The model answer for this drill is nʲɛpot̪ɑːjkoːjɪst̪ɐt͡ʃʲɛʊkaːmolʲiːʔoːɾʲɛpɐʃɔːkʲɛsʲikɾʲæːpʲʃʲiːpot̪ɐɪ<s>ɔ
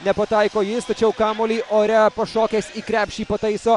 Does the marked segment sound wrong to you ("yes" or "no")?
no